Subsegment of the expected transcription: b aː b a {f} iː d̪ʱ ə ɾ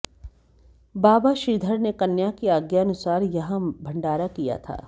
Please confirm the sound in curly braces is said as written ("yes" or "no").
no